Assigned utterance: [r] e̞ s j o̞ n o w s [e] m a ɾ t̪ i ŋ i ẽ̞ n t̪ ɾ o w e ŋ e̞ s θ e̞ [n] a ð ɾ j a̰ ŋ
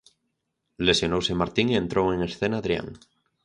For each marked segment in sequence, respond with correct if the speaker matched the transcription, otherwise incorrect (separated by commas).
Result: incorrect, correct, correct